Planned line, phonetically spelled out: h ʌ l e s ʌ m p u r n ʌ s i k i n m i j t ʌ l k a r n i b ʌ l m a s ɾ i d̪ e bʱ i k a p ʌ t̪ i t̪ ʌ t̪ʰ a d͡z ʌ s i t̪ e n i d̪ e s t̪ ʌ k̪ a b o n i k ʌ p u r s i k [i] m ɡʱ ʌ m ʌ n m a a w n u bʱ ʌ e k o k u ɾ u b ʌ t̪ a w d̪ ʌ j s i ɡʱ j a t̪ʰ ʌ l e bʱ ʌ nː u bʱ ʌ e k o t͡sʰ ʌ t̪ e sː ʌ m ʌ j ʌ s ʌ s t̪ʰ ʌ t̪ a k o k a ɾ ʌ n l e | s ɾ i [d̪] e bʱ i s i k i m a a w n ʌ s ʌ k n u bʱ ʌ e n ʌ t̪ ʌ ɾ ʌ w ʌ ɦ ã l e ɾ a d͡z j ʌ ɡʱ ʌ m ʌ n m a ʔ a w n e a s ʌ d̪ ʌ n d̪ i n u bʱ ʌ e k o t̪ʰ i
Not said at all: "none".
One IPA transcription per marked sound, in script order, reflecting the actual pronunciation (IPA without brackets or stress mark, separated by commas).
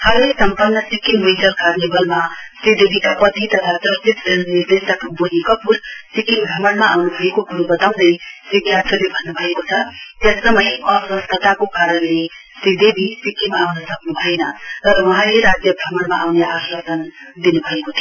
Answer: i, d̪